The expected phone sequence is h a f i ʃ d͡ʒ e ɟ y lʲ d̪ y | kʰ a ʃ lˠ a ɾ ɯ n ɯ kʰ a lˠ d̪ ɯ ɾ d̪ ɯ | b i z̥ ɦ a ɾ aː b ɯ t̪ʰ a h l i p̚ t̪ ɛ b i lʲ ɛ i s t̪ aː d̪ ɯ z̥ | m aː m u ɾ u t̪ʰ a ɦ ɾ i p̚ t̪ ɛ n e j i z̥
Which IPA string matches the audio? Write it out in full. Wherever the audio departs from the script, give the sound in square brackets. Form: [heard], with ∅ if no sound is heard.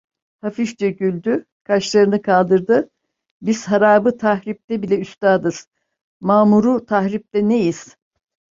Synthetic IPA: h a f i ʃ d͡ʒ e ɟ y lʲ d̪ y | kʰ a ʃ lˠ a ɾ ɯ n ɯ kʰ a lˠ d̪ ɯ ɾ d̪ ɯ | b i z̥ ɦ a ɾ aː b ɯ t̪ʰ a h [ɾ] i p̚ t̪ ɛ b i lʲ ɛ [y] s t̪ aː d̪ ɯ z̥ | m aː m u ɾ u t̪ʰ a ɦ ɾ i p̚ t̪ ɛ n e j i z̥